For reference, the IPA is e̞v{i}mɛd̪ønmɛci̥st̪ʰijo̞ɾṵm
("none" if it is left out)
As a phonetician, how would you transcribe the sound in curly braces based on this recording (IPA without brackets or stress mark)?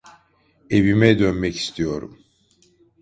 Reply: i